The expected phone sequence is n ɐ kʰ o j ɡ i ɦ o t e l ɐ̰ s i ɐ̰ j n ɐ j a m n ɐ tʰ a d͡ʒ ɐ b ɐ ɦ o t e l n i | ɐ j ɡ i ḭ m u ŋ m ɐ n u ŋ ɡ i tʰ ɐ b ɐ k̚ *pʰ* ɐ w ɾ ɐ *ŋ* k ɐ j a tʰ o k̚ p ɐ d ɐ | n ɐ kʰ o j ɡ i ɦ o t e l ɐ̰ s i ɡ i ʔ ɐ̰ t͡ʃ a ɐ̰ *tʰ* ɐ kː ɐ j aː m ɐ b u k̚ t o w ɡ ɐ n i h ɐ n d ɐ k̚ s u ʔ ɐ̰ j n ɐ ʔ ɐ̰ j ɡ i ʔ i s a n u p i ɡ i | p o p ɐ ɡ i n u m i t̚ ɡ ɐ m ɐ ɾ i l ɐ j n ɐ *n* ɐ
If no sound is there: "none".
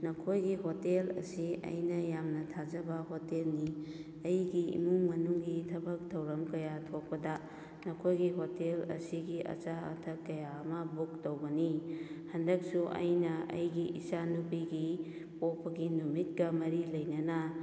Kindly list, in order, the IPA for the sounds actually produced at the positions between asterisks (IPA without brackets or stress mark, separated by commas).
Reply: tʰ, m, tʰ, n